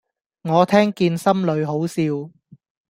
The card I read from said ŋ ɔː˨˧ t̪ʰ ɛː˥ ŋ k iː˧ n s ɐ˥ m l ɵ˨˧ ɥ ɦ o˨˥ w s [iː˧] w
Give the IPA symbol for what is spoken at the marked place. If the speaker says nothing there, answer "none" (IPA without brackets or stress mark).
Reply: iː˧